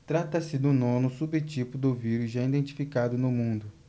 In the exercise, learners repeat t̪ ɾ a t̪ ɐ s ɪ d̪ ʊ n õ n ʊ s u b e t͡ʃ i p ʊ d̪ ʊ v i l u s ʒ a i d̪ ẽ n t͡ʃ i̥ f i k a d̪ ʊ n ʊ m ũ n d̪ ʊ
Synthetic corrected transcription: t̪ ɾ a t̪ ɐ s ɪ d̪ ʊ n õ n ʊ s u b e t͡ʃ i p ʊ d̪ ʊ v i ɾ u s ʒ a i d̪ ẽ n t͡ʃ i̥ f i k a d̪ ʊ n ʊ m ũ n d̪ ʊ

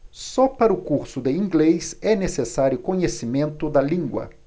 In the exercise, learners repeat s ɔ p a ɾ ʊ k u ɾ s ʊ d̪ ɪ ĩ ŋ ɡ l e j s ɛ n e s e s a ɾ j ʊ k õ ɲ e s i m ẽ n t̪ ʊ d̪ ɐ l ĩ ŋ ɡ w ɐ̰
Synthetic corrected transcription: s ɔ p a ɾ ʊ k u ɾ s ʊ d̪ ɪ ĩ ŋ ɡ l e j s ɛ n e s e s a ɾ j ʊ k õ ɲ e s i m ẽ n t̪ ʊ d̪ ɐ l ĩ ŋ ɡ w ɐ̰

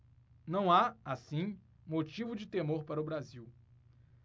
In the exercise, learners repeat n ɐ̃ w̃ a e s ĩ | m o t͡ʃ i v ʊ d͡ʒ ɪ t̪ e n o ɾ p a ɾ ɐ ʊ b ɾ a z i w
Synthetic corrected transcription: n ɐ̃ w̃ a a s ĩ | m o t͡ʃ i v ʊ d͡ʒ ɪ t̪ e m o ɾ p a ɾ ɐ ʊ b ɾ a z i w

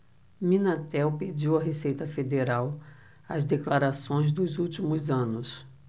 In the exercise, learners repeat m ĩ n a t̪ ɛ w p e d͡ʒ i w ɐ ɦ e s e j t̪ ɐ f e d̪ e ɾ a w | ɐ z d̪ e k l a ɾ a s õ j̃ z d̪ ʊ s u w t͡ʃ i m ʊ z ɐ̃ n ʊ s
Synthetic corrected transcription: m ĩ n a t̪ ɛ w p e d͡ʒ i w ɐ ɦ e s e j t̪ ɐ f e d̪ e ɾ a w | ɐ z d̪ e k l a ɾ a s õ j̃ z d̪ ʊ z u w t͡ʃ i m ʊ z ɐ̃ n ʊ s

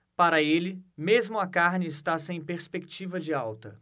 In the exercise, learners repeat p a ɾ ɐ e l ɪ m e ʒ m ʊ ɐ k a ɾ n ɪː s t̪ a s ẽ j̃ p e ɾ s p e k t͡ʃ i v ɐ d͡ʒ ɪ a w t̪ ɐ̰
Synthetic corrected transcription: p a ɾ ɐ e l ɪ m e z m ʊ ɐ k a ɾ n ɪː s t̪ a s ẽ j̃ p e ɾ s p e k t͡ʃ i v ɐ d͡ʒ ɪ a w t̪ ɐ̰

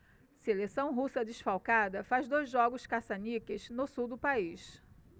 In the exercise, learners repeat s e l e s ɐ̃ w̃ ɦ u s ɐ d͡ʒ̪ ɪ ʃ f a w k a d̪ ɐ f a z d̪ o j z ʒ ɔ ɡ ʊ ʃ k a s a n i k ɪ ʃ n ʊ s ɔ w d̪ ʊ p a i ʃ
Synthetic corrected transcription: s e l e s ɐ̃ w̃ ɦ u s ɐ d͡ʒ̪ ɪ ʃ f a w k a d̪ ɐ f a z d̪ o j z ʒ ɔ ɡ ʊ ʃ k a s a n i k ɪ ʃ n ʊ s u w d̪ ʊ p a i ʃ

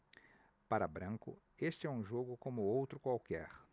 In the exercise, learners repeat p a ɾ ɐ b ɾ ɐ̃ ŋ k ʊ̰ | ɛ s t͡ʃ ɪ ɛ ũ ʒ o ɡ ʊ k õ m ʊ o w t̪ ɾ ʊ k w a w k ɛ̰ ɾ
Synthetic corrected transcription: p a ɾ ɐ b ɾ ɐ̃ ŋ k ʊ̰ | e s t͡ʃ ɪ ɛ ũ ʒ o ɡ ʊ k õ m ʊ o w t̪ ɾ ʊ k w a w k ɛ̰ ɾ

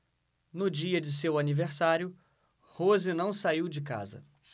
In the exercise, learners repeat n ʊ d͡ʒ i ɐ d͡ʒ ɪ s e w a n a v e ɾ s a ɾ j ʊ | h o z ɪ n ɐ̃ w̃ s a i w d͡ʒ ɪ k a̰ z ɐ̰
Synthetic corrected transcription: n ʊ d͡ʒ i ɐ d͡ʒ ɪ s e w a n i v e ɾ s a ɾ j ʊ | h o z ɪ n ɐ̃ w̃ s a i w d͡ʒ ɪ k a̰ z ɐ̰

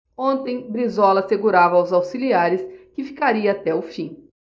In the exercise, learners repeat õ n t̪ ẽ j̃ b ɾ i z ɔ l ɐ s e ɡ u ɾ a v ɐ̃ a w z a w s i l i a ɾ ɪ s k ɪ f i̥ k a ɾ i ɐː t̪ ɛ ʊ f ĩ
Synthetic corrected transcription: õ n t̪ ẽ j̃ b ɾ i z ɔ l ɐ s e ɡ u ɾ a v ɐ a w z a w s i l i a ɾ ɪ s k ɪ f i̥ k a ɾ i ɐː t̪ ɛ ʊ f ĩ

